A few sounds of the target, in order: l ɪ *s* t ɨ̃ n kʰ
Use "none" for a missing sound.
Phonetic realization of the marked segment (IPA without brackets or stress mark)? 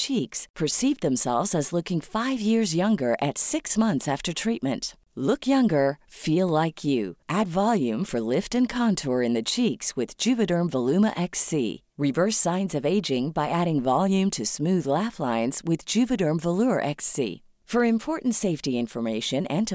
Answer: f